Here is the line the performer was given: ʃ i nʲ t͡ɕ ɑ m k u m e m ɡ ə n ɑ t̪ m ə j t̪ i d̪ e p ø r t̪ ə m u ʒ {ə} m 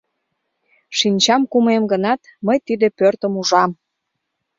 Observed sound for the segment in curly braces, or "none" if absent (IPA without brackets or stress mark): ɑ